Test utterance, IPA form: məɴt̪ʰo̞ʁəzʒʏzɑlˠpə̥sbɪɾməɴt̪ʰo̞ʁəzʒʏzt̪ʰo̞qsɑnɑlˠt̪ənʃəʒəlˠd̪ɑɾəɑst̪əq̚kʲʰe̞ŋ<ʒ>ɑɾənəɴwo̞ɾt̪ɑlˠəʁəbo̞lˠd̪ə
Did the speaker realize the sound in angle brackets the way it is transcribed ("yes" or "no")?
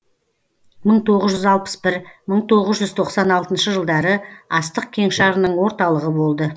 no